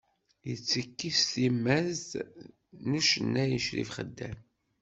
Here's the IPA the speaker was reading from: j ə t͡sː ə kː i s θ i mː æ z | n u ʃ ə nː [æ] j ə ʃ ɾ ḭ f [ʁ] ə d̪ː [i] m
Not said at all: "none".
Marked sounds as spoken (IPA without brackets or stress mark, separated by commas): æ, χ, æ